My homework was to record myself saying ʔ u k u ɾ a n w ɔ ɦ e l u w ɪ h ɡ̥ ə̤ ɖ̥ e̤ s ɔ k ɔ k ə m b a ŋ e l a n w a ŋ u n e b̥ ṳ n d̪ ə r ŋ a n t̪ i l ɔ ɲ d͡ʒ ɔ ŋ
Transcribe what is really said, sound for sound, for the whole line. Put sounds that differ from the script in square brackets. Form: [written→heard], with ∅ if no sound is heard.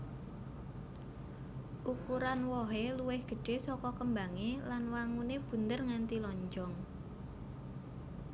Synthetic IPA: ʔ u k u ɾ a n w ɔ ɦ e l u w ɪ h ɡ̥ ə̤ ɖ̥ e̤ s ɔ k ɔ k ə m b a ŋ e l a n w a ŋ u n e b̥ ṳ n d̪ ə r ŋ a n t̪ i l ɔ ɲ d͡ʒ ɔ ŋ